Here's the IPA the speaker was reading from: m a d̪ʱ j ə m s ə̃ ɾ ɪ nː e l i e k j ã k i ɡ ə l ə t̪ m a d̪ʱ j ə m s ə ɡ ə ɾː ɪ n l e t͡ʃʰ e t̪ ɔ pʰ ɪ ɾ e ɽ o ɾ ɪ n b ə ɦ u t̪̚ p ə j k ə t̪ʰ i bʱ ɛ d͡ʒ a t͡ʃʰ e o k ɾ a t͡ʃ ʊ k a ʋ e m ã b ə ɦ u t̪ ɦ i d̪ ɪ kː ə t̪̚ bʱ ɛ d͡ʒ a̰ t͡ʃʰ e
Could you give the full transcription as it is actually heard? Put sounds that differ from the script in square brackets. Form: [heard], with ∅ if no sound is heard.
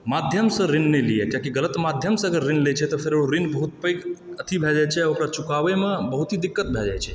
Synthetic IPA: m a d̪ʱ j ə m s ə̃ ɾ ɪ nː e l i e k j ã k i ɡ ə l ə t̪ m a d̪ʱ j ə m s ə ɡ ə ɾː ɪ n l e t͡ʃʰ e t̪ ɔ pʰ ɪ ɾ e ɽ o ɾ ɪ n b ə ɦ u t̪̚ p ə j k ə t̪ʰ i bʱ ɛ d͡ʒ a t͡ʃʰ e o k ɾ a t͡ʃ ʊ k a ʋ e m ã b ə ɦ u t̪ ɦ i d̪ ɪ kː ə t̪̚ bʱ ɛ d͡ʒ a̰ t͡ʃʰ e